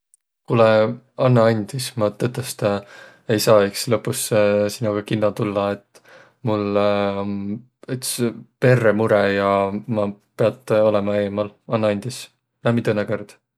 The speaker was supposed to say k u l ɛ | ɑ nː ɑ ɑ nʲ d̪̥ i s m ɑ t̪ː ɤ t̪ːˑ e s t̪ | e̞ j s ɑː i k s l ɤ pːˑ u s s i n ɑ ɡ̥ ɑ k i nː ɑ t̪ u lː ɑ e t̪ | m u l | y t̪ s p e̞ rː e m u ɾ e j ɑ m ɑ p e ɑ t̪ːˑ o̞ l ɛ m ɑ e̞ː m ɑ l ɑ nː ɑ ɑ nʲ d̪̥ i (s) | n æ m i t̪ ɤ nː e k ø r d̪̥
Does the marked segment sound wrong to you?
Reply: no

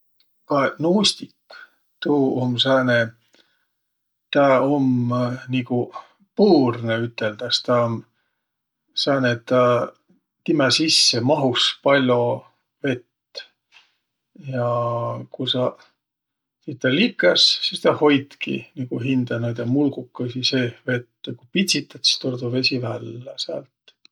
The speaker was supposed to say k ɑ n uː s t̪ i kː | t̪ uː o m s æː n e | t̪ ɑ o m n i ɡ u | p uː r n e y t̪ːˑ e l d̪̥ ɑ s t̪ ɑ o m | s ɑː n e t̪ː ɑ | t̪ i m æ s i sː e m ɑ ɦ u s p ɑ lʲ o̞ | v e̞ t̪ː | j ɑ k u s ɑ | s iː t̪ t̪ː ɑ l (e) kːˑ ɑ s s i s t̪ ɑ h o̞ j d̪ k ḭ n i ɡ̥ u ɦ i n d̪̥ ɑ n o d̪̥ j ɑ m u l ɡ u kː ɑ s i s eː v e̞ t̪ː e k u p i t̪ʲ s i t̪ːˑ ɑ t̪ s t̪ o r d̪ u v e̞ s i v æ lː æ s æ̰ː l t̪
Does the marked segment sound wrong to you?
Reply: yes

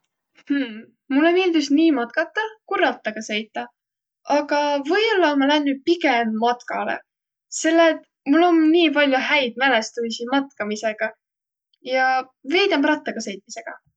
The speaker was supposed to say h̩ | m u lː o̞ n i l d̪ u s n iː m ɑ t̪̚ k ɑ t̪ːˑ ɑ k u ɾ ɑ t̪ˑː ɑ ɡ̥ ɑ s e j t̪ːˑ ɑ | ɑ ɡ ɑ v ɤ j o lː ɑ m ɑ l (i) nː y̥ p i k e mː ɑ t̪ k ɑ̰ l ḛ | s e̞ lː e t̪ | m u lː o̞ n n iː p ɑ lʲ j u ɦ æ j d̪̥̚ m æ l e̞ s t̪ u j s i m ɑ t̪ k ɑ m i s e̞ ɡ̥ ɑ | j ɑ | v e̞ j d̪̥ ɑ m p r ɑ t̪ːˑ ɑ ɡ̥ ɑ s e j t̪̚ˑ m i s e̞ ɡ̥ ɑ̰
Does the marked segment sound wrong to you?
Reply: yes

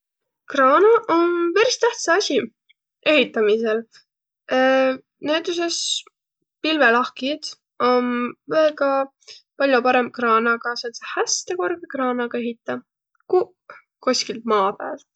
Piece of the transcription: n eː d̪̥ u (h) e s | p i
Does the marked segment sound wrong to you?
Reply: yes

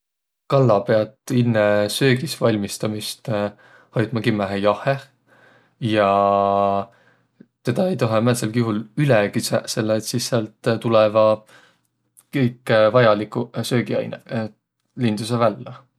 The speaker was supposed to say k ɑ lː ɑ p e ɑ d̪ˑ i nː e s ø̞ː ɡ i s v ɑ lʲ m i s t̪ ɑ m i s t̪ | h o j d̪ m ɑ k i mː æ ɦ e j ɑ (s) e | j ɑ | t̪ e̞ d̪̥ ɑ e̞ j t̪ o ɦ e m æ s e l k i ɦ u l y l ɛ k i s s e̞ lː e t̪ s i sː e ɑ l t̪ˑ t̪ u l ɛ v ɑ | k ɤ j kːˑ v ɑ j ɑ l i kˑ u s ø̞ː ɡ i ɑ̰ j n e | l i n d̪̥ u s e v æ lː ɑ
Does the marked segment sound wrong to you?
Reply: yes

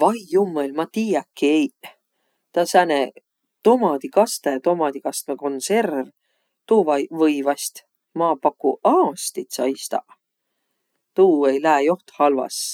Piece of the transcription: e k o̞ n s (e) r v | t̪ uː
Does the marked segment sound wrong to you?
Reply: no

